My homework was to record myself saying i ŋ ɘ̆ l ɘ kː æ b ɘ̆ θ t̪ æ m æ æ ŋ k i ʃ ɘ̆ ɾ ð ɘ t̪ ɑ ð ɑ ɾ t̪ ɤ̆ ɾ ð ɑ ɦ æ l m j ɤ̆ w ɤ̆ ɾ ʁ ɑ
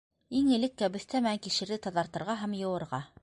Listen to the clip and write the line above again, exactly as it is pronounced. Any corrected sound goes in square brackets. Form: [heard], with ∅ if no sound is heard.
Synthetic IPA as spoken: i ŋ ɘ̆ l ɘ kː æ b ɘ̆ θ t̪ æ m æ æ ŋ k i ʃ ɘ̆ ɾ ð ɘ t̪ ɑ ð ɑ ɾ t̪ ɤ̆ ɾ [ʁ] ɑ ɦ æ [∅] m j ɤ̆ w ɤ̆ ɾ ʁ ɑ